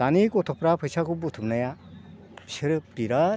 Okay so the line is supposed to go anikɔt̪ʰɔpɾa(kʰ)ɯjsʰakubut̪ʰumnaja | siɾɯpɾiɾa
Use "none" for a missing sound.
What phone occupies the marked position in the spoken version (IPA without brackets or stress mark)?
pʰ